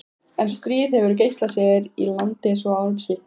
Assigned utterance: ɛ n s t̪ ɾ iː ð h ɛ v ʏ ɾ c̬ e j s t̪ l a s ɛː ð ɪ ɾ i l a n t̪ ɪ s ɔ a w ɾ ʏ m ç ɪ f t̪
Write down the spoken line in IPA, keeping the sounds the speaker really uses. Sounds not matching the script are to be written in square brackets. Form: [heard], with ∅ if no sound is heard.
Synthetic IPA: ɛ n s t̪ ɾ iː ð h ɛ v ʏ ɾ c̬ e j s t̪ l a s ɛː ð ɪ ɾ i l a n t̪ ɪ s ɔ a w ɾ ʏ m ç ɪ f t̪

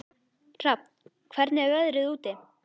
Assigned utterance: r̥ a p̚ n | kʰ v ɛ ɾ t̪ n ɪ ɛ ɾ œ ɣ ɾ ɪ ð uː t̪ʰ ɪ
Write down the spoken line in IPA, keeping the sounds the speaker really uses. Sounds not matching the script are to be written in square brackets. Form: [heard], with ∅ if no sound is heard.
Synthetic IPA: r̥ a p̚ n | kʰ v ɛ ɾ t̪ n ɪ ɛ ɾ œ [ð] ɾ ɪ ð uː [t̪] ɪ

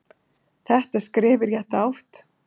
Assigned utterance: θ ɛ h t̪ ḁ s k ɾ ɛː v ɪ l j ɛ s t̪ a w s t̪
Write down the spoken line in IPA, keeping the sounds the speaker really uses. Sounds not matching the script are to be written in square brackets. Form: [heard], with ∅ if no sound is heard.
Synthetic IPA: θ ɛ h t̪ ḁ s k ɾ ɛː v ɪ [ɾ] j ɛ [h] t̪ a w [h] t̪

